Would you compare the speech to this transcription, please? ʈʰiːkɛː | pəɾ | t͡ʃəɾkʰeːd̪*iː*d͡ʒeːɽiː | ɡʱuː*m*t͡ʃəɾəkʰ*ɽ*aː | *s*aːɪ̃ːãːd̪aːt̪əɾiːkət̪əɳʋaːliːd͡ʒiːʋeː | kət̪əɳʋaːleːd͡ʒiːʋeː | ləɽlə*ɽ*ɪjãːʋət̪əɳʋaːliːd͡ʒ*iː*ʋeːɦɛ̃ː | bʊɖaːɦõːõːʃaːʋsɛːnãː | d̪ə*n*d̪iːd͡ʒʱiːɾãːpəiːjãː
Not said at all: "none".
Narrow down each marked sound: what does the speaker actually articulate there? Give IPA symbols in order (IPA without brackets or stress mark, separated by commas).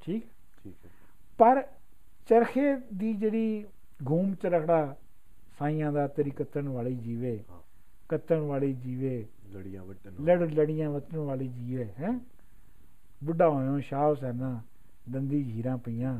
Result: iː, m, ɽ, s, ɽ, iː, n